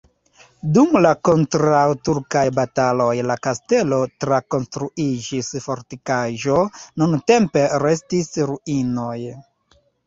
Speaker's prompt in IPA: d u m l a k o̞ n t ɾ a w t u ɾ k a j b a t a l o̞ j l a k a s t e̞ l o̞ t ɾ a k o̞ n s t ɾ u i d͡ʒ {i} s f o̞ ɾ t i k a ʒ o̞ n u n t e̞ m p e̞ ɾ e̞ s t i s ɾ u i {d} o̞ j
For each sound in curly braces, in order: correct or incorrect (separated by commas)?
correct, incorrect